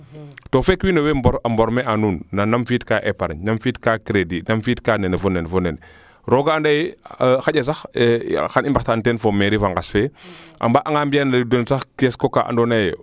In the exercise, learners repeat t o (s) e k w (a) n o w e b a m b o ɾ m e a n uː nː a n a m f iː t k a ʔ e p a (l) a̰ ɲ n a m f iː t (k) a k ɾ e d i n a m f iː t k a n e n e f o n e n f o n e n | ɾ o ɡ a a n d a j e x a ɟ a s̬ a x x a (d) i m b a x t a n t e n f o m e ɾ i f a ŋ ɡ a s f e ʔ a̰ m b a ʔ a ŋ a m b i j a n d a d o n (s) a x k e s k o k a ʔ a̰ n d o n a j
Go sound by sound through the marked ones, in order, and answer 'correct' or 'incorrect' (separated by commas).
incorrect, incorrect, incorrect, correct, incorrect, correct